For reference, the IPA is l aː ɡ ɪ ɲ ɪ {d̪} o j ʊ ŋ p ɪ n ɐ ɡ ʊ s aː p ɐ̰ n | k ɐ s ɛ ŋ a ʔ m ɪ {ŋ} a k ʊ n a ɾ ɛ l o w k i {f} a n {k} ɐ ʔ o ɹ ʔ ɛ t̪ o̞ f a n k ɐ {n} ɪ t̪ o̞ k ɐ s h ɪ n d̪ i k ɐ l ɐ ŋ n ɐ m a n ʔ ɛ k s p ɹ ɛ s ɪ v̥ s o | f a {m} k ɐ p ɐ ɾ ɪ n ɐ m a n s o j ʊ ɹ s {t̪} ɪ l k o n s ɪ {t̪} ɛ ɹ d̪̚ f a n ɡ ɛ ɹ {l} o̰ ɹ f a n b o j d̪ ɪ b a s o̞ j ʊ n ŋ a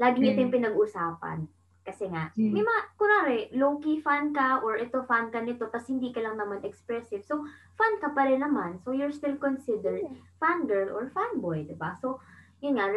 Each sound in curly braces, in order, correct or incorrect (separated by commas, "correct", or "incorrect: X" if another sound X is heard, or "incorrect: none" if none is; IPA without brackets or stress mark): incorrect: t̪, incorrect: m, correct, correct, correct, incorrect: n, correct, incorrect: d̪, correct